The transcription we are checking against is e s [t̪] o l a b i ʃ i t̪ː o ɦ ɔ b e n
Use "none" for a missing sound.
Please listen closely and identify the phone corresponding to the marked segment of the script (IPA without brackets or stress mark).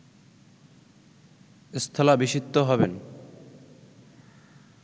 t̪ʰ